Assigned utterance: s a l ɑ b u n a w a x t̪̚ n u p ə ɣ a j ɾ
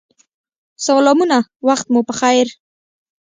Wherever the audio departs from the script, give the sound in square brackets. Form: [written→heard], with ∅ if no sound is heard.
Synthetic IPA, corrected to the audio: s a l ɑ [b→m] u n a w a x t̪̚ [n→m] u p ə [ɣ→x] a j ɾ